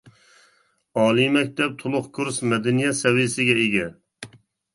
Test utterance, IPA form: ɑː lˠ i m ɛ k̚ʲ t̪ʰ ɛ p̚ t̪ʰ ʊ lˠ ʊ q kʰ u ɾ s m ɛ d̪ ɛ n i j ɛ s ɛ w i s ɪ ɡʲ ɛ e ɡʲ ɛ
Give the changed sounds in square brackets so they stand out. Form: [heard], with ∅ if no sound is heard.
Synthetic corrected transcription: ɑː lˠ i m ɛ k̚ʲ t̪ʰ ɛ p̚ t̪ʰ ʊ lˠ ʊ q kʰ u ɾ s m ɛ d̪ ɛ n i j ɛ s ɛ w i s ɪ ɡʲ ɛ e ɡʲ ɛ